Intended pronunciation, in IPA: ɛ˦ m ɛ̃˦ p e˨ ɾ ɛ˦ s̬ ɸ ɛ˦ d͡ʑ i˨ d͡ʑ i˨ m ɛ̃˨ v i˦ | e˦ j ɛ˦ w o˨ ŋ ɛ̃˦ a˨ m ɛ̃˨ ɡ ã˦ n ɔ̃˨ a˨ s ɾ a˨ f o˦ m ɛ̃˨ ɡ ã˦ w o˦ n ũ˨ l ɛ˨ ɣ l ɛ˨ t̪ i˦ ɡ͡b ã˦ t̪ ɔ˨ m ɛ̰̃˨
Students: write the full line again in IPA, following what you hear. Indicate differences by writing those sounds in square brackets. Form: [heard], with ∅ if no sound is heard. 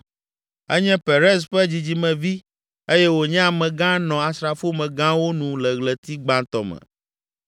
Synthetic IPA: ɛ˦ [ɲ] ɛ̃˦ p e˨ ɾ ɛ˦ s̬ ɸ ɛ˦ d͡ʑ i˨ d͡ʑ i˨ m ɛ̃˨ v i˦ | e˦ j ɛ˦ w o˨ [ɲ] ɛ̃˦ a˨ m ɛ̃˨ ɡ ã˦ n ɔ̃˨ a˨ s ɾ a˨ f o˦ m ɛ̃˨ ɡ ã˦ w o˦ n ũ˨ l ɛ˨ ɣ l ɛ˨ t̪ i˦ ɡ͡b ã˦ t̪ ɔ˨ m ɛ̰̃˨

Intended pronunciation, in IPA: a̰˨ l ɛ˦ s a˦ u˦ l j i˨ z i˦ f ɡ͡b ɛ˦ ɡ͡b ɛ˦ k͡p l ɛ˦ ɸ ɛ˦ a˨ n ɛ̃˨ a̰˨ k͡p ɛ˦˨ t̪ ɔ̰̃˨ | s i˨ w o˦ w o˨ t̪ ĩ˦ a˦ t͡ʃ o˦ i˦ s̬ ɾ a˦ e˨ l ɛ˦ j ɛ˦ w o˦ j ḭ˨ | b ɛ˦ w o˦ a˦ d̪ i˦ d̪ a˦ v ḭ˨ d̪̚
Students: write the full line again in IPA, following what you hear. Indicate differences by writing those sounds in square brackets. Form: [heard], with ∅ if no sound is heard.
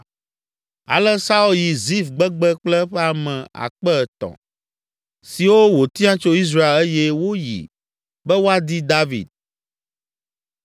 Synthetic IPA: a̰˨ l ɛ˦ s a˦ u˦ l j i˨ z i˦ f ɡ͡b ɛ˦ ɡ͡b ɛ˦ k͡p l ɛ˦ ɸ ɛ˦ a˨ [m] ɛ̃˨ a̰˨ k͡p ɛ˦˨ t̪ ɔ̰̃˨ | s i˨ w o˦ w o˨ t̪ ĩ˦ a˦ t͡ʃ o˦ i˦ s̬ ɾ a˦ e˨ l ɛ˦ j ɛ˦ w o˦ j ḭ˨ | b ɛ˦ w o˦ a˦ d̪ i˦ d̪ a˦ v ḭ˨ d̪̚

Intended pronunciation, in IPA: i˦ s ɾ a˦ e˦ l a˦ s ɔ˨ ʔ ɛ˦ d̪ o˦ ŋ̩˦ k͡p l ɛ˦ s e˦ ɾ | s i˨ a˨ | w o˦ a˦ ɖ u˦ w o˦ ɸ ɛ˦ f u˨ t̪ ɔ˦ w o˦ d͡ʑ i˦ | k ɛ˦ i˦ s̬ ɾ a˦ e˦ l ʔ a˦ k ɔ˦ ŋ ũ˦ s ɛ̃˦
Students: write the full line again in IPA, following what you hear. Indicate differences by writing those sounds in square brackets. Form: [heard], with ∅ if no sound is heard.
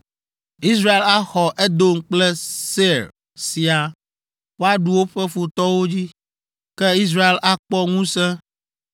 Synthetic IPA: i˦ s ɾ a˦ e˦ l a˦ [x] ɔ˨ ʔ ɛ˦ d̪ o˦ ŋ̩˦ k͡p l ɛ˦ s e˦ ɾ | s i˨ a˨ | w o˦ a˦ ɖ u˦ w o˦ ɸ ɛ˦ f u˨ t̪ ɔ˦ w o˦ d͡ʑ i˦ | k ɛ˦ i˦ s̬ ɾ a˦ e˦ l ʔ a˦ [k͡p] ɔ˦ ŋ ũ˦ s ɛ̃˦

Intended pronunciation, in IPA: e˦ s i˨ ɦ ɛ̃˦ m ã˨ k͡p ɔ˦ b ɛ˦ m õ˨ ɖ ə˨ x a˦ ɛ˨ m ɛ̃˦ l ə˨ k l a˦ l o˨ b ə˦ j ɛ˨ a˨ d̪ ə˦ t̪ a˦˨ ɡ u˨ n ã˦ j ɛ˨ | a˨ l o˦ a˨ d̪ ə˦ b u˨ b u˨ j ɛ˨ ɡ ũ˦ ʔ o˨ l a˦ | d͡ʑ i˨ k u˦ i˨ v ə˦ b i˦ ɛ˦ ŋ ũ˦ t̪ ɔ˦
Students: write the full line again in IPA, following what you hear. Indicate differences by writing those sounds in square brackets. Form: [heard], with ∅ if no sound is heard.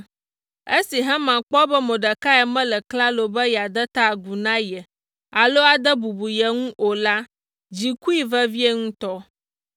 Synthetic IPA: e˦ s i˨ ɦ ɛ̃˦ m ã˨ k͡p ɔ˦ b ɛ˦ m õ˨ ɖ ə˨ [k] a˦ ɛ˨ m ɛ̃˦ l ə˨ k l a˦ l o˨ b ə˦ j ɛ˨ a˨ d̪ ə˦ t̪ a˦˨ ɡ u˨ n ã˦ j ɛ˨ | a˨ l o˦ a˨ d̪ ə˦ b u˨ b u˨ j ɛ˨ [ŋ] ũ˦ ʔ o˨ l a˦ | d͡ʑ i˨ k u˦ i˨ v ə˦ [v] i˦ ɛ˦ ŋ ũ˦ t̪ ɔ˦

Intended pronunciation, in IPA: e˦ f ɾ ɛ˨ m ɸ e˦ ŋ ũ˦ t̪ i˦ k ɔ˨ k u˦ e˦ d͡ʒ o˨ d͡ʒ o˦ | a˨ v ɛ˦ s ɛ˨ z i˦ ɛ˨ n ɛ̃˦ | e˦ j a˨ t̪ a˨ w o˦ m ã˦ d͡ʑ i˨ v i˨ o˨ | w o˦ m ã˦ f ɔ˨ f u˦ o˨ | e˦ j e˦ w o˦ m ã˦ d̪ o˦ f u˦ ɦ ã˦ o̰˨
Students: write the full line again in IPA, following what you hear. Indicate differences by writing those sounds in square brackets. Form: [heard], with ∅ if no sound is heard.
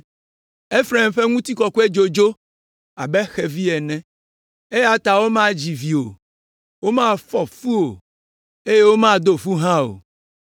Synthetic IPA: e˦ f ɾ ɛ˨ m ɸ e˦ ŋ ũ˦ t̪ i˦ k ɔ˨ k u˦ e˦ d͡ʒ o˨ d͡ʒ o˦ | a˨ [b] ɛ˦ [x] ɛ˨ [v] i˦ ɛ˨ n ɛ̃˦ | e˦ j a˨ t̪ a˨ w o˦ m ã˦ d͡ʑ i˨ v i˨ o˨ | w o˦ m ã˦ f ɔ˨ f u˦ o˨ | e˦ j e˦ w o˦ m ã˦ d̪ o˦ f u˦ ɦ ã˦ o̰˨

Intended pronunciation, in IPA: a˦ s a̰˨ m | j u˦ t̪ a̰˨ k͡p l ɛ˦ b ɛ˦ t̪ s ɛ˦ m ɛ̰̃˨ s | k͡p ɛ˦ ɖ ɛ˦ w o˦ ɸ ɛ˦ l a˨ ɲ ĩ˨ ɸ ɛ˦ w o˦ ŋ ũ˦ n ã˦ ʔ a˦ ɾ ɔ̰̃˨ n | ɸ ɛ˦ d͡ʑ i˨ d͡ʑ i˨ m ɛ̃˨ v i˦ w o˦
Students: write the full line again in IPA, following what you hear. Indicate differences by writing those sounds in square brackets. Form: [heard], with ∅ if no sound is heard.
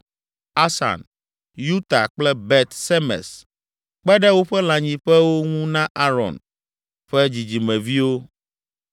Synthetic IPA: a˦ s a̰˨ [n] | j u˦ t̪ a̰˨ k͡p l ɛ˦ b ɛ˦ t̪ s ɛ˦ m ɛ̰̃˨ s | k͡p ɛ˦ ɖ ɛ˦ w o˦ ɸ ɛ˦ l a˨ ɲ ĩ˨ ɸ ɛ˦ w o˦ ŋ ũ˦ n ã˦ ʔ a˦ ɾ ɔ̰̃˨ n | ɸ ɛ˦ d͡ʑ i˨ d͡ʑ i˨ m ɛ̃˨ v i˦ w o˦

